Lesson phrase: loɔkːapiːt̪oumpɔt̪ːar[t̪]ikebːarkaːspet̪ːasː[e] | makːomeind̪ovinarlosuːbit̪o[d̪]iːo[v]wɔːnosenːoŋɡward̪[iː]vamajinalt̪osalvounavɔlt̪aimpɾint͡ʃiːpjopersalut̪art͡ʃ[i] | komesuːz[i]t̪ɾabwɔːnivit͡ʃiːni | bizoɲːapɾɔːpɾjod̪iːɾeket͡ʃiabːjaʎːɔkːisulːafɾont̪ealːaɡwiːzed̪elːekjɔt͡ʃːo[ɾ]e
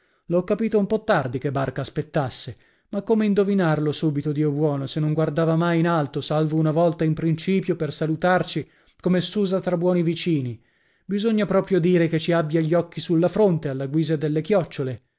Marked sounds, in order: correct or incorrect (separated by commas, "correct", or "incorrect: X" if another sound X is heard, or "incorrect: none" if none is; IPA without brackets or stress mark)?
incorrect: d̪, correct, correct, incorrect: b, incorrect: aː, correct, incorrect: a, incorrect: l